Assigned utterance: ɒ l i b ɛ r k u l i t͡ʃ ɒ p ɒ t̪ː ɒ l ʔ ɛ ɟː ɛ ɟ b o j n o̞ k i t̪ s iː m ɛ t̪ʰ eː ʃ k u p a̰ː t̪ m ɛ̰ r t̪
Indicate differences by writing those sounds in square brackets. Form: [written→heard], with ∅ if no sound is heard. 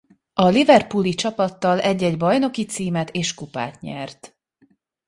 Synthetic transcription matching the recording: ɒ l i [b→v] ɛ r [k→p] u l i t͡ʃ ɒ p ɒ t̪ː ɒ l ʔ ɛ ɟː ɛ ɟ b [o→ɒ] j n o̞ k i t̪ s iː m ɛ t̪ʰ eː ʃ k u p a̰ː t̪ [m→ɲ] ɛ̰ r t̪